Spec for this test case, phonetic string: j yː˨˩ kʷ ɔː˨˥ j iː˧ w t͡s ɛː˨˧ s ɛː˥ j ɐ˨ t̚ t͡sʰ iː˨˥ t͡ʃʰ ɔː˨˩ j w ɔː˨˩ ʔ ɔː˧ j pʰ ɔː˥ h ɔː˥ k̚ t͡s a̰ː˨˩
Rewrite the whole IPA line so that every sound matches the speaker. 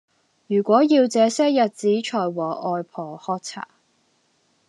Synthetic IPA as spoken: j yː˨˩ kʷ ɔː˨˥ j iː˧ w t͡s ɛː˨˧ s ɛː˥ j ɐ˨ t̚ t͡s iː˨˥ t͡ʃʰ ɔː˨˩ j w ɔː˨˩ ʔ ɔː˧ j pʰ ɔː˨˩ h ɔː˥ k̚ t͡sʰ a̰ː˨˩